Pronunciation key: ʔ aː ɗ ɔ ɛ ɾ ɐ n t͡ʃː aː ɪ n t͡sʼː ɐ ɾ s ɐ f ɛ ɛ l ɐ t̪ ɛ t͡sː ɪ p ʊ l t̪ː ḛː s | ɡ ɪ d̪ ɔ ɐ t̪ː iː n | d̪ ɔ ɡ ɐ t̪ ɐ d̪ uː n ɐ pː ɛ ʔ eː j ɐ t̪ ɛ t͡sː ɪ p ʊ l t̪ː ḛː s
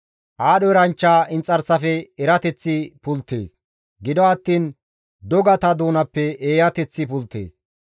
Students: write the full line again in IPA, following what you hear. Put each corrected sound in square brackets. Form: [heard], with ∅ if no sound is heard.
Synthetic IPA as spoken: ʔ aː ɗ ɔ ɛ ɾ ɐ n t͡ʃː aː ɪ n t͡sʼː ɐ ɾ s ɐ f ɛ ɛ [ɾ] ɐ t̪ ɛ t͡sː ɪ p ʊ l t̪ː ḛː s | ɡ ɪ d̪ ɔ ɐ t̪ː iː n | d̪ ɔ ɡ ɐ t̪ ɐ d̪ uː n ɐ pː ɛ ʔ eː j ɐ t̪ ɛ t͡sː ɪ p ʊ l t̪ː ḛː s